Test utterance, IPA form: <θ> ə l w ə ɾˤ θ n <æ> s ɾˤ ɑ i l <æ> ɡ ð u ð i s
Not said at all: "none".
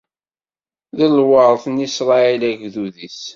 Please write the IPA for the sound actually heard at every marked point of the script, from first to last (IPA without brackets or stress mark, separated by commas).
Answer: ð, i, æ